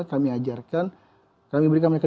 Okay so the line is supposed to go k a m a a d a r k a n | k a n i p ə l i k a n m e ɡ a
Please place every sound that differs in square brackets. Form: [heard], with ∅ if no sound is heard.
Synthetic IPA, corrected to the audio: k a m [i] a [d͡ʒ] a r k a n | k a [m] i [b] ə [ɾ] i k a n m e [k] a

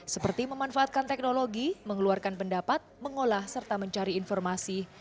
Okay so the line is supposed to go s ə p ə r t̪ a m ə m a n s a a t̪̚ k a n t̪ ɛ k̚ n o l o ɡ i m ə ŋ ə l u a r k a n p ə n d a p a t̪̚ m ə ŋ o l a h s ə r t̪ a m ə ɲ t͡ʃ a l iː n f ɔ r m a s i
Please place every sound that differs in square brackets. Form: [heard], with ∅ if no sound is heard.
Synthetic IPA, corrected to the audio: s ə p ə r t̪ [i] m ə m a n [f] a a t̪̚ k a n t̪ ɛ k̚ n o l o ɡ i m ə ŋ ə l u a r k a n p ə n d a p a t̪̚ m ə ŋ o l a h s ə r t̪ a m ə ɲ t͡ʃ a [ɾ] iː n f ɔ r m a s i

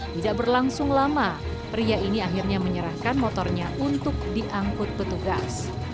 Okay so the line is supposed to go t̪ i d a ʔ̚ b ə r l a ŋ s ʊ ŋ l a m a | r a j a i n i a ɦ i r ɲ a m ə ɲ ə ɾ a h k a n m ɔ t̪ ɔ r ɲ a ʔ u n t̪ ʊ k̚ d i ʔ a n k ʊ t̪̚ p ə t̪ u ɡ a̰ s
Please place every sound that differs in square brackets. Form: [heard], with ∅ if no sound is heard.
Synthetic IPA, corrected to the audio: t̪ i d a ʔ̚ b ə r l a ŋ s ʊ ŋ l a m a | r [i] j a i n i a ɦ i r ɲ a m ə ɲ ə ɾ a h k a n m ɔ t̪ ɔ r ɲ a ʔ u n t̪ ʊ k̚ d i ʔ a [ŋ] k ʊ t̪̚ p ə t̪ u ɡ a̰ s

